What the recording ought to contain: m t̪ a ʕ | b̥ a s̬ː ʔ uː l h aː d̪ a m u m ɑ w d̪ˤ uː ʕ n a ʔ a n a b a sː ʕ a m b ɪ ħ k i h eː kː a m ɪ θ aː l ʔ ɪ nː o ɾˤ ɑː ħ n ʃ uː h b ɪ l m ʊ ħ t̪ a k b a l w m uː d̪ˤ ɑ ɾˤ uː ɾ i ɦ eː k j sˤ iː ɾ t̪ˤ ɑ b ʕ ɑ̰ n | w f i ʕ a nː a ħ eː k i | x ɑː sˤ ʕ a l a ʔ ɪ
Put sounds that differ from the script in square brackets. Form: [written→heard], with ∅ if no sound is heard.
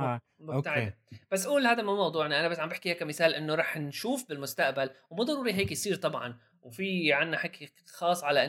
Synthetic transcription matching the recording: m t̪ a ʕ | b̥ a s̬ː ʔ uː l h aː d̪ a m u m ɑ w d̪ˤ uː ʕ n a ʔ a n a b a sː ʕ a m b ɪ ħ k i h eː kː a m ɪ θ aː l ʔ ɪ nː o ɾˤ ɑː ħ n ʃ uː [h→f] b ɪ l m ʊ [ħ→s] t̪ a [k→ʔ] b a l w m uː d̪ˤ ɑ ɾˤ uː ɾ i ɦ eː k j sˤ iː ɾ t̪ˤ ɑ b ʕ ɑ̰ n | w f i ʕ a nː a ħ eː k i | x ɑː sˤ ʕ a l a ʔ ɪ